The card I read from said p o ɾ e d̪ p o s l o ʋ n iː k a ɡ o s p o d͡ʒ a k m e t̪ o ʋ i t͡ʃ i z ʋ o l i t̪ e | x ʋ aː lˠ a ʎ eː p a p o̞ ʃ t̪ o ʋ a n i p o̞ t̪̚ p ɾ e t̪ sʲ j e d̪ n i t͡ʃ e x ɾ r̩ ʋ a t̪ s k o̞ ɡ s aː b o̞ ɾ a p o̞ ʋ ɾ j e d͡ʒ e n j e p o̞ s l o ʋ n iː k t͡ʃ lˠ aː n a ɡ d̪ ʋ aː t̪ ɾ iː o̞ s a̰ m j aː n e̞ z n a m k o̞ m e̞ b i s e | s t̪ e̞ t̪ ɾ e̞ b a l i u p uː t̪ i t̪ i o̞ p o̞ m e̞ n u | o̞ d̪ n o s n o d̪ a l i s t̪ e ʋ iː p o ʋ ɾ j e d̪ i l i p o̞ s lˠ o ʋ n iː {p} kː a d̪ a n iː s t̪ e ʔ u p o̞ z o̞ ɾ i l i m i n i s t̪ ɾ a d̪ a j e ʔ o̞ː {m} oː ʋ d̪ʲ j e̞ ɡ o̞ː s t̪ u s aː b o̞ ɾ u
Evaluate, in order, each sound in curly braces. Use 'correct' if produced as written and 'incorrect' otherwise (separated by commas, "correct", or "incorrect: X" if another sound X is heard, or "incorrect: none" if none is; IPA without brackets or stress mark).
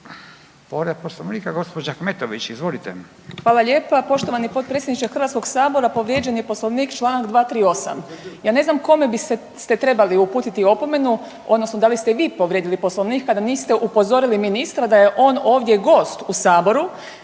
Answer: incorrect: k, incorrect: n